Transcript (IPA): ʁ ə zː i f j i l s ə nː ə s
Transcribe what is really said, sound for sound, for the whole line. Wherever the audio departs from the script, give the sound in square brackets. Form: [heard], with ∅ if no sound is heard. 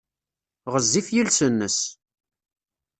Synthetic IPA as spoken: ʁ ə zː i f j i l s ə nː ə s